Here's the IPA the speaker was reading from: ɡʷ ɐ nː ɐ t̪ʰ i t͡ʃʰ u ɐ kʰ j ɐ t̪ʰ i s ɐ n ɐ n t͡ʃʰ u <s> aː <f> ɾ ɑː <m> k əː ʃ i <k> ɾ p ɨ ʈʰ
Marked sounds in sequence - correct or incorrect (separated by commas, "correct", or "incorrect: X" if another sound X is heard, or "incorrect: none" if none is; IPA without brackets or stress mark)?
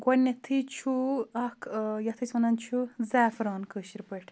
incorrect: z, correct, incorrect: n, incorrect: none